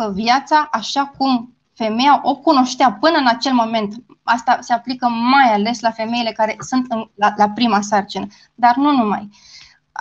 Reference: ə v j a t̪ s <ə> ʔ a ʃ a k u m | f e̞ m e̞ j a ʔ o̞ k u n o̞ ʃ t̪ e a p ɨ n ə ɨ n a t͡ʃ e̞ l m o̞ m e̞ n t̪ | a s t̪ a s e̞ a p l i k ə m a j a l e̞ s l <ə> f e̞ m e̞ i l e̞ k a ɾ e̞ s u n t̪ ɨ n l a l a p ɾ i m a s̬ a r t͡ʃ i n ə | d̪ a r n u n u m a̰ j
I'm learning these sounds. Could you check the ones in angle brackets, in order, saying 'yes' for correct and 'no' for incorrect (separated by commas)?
no, no